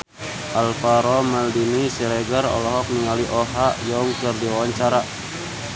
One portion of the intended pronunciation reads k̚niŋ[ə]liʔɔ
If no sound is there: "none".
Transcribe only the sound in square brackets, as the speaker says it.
a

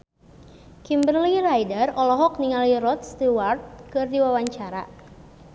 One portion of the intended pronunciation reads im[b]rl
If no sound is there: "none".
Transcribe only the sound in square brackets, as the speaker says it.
b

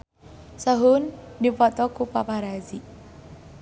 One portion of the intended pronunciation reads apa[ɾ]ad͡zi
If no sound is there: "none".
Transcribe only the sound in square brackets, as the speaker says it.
ɾ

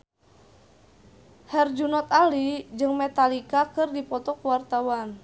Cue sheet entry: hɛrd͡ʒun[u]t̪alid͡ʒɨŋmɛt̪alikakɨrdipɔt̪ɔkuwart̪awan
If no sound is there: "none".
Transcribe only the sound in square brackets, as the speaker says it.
ɔ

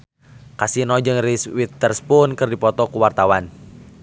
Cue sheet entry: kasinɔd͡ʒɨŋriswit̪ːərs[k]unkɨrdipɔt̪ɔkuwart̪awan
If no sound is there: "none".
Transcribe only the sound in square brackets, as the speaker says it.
p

